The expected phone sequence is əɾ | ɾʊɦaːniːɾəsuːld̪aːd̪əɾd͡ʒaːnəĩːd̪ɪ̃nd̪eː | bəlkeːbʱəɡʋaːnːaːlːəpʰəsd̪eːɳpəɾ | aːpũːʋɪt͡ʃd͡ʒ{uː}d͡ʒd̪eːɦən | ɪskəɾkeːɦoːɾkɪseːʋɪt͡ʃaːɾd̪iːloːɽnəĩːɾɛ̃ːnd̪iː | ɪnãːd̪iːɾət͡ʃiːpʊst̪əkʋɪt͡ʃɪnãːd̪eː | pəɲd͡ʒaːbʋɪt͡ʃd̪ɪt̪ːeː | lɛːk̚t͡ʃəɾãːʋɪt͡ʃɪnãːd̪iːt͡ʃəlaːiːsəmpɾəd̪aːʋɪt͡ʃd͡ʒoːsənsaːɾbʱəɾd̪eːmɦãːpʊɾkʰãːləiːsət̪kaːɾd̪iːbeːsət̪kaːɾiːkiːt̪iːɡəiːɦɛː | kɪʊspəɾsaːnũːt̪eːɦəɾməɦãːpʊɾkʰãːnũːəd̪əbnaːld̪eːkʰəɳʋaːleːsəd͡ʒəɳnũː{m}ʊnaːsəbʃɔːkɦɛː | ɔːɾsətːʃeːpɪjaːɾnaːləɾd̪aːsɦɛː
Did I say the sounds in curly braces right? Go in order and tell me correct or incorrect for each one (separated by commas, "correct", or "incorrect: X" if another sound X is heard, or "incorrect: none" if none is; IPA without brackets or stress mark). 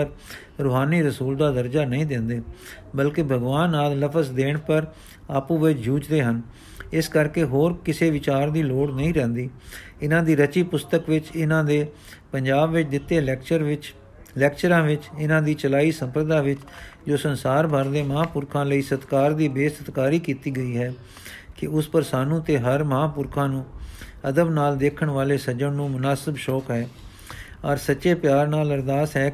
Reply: correct, correct